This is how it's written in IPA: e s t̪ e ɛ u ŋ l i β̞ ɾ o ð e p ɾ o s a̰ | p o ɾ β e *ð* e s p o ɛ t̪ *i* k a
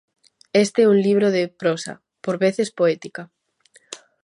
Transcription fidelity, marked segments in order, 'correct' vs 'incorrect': incorrect, correct

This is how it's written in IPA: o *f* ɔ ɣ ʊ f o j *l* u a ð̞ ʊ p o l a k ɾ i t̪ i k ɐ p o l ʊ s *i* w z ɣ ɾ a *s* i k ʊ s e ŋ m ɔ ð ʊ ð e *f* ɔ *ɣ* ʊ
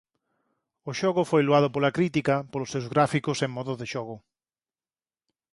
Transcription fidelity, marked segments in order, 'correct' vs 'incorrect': incorrect, correct, incorrect, incorrect, incorrect, correct

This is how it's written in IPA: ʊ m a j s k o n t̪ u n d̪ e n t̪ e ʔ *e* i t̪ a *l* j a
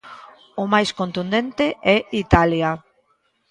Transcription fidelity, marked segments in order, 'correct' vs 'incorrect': incorrect, correct

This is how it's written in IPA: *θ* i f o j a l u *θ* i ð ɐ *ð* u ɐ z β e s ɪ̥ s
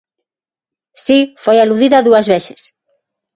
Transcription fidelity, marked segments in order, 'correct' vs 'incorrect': incorrect, incorrect, correct

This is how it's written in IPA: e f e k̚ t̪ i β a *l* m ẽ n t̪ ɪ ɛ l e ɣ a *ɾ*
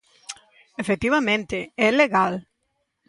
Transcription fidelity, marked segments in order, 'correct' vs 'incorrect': incorrect, incorrect

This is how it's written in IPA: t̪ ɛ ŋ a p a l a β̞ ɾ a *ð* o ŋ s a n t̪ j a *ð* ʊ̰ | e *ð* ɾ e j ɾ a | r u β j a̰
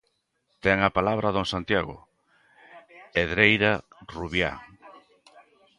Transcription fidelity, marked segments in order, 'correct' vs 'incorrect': correct, incorrect, correct

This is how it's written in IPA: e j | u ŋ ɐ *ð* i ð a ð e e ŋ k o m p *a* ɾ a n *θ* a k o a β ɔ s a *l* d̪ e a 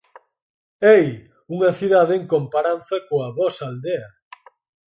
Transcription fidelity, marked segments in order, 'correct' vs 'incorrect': incorrect, correct, correct, correct

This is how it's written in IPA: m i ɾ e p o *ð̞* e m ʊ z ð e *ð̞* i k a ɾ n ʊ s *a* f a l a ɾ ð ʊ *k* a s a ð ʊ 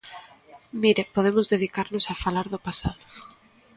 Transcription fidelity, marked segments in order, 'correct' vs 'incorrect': correct, correct, correct, incorrect

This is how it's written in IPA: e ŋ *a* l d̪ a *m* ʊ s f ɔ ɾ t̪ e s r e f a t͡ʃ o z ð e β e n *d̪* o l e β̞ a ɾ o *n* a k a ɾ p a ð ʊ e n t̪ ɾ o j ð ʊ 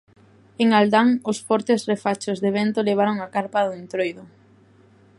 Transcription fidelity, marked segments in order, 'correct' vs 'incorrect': correct, incorrect, incorrect, incorrect

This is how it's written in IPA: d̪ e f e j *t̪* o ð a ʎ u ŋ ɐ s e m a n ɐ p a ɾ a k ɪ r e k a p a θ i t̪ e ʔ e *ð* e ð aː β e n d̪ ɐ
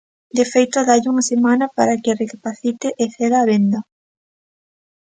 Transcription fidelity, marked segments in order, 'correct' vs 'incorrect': correct, incorrect

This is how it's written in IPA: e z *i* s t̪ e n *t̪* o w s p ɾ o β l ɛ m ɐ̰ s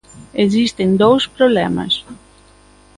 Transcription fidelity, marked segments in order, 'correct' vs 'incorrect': correct, incorrect

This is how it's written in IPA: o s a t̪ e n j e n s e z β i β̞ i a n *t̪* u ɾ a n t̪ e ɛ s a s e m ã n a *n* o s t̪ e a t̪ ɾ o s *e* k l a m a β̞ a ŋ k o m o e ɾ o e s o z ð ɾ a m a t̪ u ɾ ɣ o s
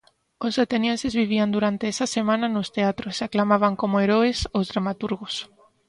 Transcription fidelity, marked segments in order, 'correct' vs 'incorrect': incorrect, correct, incorrect

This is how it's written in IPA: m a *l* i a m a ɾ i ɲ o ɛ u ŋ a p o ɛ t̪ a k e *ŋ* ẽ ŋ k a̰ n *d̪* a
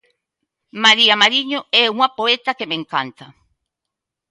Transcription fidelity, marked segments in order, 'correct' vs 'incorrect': incorrect, incorrect, incorrect

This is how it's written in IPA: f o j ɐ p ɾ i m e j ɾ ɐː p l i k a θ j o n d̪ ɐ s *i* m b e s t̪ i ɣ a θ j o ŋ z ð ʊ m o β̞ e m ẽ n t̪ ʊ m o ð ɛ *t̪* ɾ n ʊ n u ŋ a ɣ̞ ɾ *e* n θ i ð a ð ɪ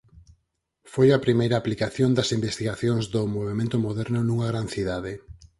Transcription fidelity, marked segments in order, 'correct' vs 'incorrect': correct, incorrect, incorrect

